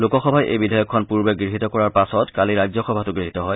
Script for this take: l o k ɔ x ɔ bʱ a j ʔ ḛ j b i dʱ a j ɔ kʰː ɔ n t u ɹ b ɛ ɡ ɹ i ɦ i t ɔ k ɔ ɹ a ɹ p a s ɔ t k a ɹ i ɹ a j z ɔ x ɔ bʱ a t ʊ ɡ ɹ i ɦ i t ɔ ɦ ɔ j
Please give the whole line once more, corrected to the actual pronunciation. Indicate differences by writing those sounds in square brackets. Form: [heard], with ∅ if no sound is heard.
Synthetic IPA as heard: l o k ɔ x ɔ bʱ a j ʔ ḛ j b i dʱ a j ɔ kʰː ɔ n [p] u ɹ b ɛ ɡ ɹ i ɦ i t ɔ k ɔ ɹ a ɹ p a s ɔ t k a [l] i ɹ a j z ɔ x ɔ bʱ a t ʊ ɡ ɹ i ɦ i t ɔ ɦ ɔ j